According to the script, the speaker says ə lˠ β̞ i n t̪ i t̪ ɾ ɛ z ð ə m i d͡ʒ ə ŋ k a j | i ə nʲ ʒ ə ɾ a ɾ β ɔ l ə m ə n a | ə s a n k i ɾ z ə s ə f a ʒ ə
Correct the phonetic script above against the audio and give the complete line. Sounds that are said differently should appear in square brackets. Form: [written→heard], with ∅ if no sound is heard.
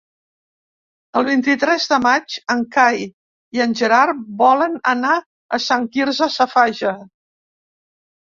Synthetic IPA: ə lˠ β̞ i n t̪ i t̪ ɾ ɛ z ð ə m [i→a] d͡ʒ ə ŋ k a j | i ə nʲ ʒ ə ɾ a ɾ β ɔ l ə [m→n] ə n a | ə s a [n→ŋ] k i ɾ z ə s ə f a ʒ ə